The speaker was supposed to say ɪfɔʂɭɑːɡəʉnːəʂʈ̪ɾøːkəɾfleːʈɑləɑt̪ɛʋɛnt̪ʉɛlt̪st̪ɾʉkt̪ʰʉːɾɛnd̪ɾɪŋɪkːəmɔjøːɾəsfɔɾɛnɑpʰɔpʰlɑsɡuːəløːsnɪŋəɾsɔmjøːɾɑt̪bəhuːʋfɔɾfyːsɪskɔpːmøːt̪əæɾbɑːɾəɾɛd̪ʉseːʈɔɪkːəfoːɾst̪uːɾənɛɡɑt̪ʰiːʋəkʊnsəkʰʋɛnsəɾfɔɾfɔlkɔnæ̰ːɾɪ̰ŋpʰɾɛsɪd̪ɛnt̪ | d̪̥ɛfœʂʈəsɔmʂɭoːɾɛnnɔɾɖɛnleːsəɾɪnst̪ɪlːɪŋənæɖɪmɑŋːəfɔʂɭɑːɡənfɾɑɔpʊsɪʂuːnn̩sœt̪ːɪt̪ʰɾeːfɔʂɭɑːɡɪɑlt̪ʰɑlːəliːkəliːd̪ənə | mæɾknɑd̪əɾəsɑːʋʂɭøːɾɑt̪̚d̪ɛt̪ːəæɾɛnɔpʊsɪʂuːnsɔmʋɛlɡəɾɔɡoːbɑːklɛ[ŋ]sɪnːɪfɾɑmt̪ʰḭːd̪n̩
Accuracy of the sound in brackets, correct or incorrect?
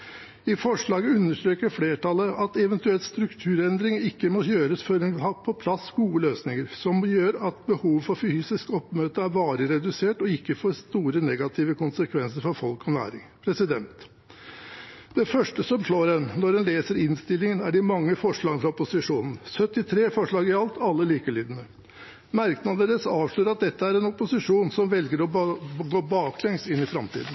correct